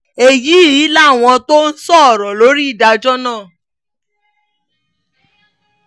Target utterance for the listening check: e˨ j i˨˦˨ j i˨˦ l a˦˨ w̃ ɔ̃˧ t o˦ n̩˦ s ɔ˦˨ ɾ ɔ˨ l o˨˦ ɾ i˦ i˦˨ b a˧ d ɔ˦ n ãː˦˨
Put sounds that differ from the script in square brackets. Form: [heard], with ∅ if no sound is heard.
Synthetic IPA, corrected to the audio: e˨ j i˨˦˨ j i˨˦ l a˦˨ w̃ ɔ̃˧ t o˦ n̩˦ s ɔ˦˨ ɾ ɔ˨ l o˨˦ ɾ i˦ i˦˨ [d] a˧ [d͡ʒ] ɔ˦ n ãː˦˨